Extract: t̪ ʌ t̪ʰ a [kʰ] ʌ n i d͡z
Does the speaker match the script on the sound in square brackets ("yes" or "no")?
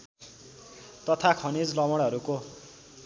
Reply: yes